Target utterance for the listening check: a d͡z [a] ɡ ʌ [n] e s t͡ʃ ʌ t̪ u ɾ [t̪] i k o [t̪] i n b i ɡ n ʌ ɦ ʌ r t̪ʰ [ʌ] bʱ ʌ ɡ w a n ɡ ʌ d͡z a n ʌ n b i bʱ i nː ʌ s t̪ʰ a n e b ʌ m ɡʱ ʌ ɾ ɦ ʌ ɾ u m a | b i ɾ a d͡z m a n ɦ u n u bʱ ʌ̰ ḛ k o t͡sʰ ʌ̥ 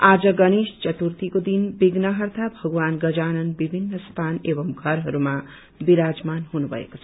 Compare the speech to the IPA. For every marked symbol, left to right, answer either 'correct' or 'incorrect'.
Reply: incorrect: ʌ, correct, correct, incorrect: d̪, incorrect: a

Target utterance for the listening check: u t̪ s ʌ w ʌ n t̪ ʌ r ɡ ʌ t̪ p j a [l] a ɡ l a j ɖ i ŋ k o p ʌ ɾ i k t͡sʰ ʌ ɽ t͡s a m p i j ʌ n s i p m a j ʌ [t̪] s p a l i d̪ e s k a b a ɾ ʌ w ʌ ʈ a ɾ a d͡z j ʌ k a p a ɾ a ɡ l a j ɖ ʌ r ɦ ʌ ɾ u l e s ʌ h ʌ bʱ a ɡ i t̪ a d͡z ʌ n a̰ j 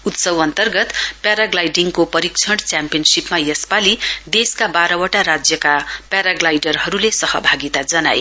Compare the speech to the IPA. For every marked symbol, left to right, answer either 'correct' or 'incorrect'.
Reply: incorrect: ɾ, incorrect: none

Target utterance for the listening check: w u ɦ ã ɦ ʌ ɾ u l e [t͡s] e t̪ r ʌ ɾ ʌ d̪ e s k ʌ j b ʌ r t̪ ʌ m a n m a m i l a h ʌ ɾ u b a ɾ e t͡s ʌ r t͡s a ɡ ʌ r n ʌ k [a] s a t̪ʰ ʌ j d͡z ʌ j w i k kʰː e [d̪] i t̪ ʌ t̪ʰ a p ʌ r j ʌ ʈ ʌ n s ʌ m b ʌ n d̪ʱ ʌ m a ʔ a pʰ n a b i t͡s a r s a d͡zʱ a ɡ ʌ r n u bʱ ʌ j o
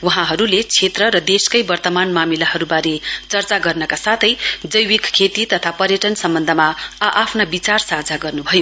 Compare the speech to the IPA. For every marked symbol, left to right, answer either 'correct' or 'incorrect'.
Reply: incorrect: t͡sʰ, correct, incorrect: t̪

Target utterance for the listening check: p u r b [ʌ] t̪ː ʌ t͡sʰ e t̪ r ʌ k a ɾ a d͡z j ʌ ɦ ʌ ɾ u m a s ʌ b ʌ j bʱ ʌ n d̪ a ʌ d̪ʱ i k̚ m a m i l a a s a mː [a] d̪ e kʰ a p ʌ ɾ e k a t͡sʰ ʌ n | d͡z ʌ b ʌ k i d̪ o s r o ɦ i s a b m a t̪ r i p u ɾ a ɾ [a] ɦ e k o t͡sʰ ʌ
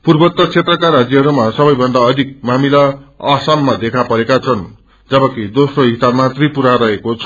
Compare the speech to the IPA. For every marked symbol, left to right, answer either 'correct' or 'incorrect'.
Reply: correct, correct, incorrect: ʌ

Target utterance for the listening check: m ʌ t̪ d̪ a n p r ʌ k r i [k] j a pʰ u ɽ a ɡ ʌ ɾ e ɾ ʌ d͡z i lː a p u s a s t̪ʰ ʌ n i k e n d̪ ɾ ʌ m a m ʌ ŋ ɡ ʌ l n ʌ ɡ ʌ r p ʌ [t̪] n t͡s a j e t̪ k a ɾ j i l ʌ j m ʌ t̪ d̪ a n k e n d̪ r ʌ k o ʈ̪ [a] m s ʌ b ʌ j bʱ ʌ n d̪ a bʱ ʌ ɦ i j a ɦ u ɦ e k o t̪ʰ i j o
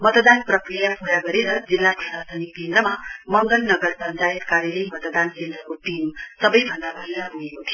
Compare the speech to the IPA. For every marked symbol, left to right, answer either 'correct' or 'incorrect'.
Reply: incorrect: none, incorrect: none, incorrect: i

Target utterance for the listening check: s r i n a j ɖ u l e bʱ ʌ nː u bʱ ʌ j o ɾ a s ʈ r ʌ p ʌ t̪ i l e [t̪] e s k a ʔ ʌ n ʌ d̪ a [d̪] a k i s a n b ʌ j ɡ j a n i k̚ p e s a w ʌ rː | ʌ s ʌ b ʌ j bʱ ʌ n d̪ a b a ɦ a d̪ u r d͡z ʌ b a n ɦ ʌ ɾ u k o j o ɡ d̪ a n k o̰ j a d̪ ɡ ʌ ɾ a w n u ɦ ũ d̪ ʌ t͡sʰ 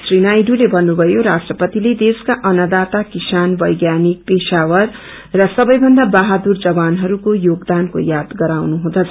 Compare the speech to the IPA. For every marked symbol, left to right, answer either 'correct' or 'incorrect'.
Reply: incorrect: d̪, incorrect: t̪

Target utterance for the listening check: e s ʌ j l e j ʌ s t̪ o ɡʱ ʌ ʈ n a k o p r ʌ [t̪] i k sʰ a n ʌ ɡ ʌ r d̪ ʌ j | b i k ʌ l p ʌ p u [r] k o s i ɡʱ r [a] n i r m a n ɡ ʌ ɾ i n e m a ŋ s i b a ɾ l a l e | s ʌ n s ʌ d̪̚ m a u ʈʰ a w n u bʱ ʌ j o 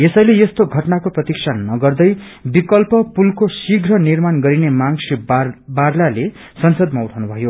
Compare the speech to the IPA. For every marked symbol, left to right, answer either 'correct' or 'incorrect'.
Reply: correct, incorrect: l, incorrect: ʌ

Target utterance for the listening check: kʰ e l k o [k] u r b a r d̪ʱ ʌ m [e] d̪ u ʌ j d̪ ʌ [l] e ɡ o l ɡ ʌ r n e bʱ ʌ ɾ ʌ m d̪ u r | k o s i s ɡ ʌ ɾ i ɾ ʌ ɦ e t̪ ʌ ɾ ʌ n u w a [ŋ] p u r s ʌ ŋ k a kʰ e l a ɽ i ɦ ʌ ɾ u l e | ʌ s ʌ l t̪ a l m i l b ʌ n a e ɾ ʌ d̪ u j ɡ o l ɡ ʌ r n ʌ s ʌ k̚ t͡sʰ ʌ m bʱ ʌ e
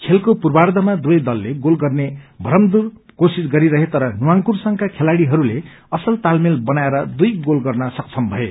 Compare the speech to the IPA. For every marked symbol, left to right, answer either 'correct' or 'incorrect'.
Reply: incorrect: p, incorrect: a, incorrect: lː, correct

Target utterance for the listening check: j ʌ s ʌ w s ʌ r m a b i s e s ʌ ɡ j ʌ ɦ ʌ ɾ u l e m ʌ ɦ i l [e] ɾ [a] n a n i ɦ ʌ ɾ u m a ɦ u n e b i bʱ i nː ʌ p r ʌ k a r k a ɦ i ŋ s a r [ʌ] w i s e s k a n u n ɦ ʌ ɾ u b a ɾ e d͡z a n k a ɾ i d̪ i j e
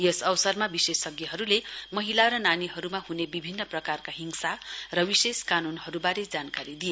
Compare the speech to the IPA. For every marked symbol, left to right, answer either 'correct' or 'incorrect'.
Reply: incorrect: a, incorrect: ʌ, correct

